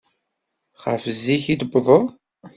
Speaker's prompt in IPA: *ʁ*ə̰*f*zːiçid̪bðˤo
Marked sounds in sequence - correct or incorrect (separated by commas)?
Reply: incorrect, correct